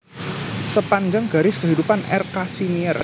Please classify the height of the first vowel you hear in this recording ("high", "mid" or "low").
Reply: mid